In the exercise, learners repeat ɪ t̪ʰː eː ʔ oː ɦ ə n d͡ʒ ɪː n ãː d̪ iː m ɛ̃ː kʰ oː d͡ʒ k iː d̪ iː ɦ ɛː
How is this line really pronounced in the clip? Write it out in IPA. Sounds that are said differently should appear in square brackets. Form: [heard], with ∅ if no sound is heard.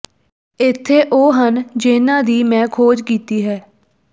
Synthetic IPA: ɪ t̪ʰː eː ʔ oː ɦ ə n d͡ʒ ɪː n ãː d̪ iː m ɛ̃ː kʰ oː d͡ʒ k iː [t̪] iː ɦ ɛː